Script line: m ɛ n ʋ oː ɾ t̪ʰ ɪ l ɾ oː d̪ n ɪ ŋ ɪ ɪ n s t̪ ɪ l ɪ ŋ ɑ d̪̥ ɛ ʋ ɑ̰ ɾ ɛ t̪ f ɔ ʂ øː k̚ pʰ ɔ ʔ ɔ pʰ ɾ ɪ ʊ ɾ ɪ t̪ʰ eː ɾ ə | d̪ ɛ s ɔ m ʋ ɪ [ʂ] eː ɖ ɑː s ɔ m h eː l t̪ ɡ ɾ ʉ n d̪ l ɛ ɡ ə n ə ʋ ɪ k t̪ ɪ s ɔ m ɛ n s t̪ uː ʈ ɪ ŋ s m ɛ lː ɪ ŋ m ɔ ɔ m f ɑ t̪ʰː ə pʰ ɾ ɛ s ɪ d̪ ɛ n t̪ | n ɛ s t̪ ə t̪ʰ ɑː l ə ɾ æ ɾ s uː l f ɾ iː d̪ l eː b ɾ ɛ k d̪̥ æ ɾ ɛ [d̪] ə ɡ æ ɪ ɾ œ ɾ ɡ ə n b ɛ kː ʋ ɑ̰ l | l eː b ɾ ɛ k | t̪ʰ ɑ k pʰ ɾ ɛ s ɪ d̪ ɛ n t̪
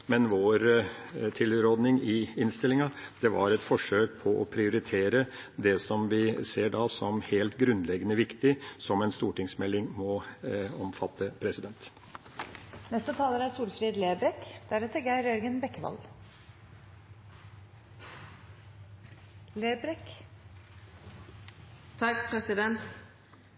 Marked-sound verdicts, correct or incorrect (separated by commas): incorrect, incorrect